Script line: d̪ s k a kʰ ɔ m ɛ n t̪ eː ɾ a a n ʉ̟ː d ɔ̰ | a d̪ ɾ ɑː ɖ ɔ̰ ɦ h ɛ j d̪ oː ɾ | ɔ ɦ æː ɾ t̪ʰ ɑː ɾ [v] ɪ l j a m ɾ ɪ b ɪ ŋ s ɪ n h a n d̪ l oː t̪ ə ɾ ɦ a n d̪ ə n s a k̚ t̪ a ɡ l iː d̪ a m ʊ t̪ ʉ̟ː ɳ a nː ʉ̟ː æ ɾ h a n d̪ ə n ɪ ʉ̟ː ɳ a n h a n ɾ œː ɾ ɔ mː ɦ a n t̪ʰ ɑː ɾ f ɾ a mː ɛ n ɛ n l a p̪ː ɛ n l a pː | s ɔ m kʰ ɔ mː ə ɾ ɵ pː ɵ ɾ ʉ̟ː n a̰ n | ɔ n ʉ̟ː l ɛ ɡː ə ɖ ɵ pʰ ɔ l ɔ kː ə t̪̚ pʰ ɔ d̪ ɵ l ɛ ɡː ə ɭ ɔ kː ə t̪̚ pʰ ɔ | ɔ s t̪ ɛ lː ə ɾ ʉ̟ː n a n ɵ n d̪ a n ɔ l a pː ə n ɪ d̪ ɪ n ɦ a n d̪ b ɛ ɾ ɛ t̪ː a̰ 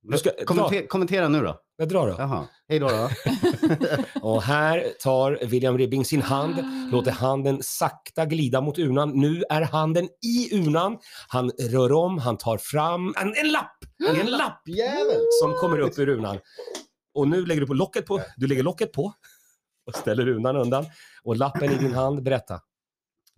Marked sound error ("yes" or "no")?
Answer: no